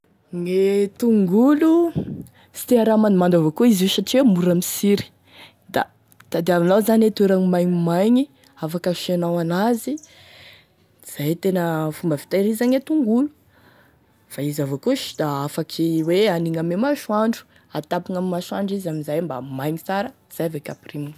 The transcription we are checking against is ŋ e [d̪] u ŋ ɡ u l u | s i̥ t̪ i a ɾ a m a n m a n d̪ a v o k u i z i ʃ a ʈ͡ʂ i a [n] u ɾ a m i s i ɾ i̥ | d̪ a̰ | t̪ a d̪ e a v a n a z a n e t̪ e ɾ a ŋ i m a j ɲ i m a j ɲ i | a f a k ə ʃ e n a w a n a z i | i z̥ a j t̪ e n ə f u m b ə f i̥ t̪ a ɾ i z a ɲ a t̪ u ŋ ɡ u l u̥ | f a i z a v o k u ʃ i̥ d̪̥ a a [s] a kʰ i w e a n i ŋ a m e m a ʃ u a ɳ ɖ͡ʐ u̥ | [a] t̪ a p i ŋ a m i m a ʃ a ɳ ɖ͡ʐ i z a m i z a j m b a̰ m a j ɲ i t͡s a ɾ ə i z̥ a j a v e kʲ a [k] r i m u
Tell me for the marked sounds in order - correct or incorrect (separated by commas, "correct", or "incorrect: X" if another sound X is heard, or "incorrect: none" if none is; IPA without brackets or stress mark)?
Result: incorrect: t̪, incorrect: m, incorrect: f, correct, incorrect: p